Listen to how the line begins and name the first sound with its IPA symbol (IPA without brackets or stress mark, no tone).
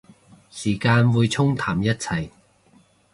s